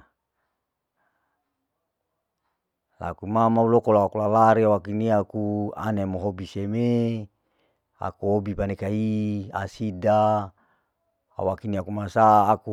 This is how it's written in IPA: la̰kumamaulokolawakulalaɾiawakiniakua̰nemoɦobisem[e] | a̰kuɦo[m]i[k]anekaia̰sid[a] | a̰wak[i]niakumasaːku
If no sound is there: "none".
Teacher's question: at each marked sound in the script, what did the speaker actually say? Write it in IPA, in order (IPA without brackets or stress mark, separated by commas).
e, b, p, a, i